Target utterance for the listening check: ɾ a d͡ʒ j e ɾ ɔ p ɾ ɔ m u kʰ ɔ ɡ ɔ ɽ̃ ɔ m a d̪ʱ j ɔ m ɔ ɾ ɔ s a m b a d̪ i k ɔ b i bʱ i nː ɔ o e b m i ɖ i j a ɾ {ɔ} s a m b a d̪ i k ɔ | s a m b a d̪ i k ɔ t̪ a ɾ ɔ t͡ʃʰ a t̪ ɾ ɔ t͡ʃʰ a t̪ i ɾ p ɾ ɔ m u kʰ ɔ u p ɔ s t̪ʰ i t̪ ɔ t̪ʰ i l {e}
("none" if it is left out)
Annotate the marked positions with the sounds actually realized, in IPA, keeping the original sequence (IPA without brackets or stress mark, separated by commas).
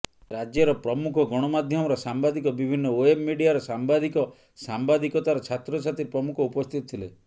ɔ, e